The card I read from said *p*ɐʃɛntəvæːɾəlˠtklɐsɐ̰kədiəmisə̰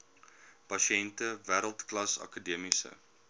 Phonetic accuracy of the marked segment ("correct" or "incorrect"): correct